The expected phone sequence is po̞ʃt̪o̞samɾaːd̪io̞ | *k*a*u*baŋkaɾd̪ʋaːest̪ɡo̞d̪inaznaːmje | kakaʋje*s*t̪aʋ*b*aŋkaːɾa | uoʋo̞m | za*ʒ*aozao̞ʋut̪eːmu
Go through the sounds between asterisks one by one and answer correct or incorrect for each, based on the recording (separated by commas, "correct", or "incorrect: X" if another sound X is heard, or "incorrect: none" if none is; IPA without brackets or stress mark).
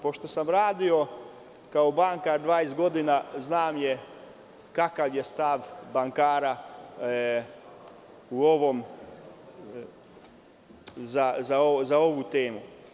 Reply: correct, incorrect: o, correct, correct, incorrect: z